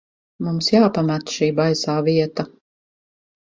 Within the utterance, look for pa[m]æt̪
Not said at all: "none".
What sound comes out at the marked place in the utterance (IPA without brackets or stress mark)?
m